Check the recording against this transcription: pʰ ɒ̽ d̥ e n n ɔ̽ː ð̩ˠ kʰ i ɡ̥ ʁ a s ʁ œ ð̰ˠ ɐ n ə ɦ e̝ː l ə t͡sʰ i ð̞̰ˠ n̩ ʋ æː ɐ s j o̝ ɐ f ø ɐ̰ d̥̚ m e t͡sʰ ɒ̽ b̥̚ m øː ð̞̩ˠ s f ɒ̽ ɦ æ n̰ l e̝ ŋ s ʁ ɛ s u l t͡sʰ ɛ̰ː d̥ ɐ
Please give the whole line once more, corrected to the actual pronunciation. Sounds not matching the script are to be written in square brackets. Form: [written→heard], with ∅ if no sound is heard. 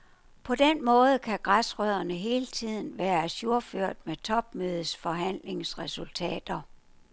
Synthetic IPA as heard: pʰ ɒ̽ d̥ e n [n→m] ɔ̽ː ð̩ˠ kʰ [i→æ] ɡ̥ ʁ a s ʁ œ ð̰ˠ ɐ n ə ɦ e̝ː l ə t͡sʰ i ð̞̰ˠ n̩ ʋ æː ɐ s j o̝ ɐ f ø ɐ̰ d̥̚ m e t͡sʰ ɒ̽ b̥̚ m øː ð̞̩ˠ s f ɒ̽ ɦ æ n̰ l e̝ ŋ s ʁ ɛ s u l t͡sʰ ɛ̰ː d̥ ɐ